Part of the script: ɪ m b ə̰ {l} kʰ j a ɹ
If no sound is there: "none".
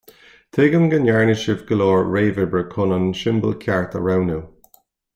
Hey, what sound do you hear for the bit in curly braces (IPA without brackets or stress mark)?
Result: l